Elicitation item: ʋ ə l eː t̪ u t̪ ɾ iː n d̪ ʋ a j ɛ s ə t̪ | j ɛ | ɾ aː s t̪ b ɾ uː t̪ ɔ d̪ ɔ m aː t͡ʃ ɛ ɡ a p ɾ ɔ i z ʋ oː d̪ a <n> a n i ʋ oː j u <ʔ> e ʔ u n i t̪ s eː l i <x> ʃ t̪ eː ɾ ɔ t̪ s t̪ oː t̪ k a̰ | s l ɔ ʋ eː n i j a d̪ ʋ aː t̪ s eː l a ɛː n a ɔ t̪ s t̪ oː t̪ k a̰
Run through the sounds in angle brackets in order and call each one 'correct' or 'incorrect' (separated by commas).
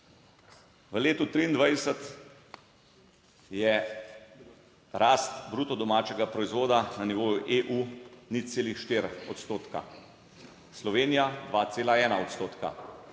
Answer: correct, correct, correct